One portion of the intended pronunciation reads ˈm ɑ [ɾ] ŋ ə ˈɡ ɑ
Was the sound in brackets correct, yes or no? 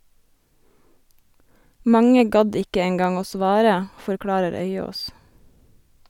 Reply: no